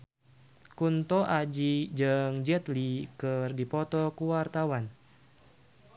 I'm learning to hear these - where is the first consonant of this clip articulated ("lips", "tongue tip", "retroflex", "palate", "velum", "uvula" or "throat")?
velum